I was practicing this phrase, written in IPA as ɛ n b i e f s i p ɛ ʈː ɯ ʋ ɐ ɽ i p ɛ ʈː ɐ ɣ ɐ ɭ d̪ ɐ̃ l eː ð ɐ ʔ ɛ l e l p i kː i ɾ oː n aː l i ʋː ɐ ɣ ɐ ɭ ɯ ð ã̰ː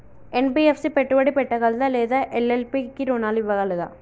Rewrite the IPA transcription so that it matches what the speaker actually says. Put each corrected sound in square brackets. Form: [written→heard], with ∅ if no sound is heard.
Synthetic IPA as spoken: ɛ n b i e f s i p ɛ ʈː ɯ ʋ ɐ ɽ i p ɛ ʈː ɐ ɣ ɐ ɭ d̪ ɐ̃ l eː ð ɐ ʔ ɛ l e l p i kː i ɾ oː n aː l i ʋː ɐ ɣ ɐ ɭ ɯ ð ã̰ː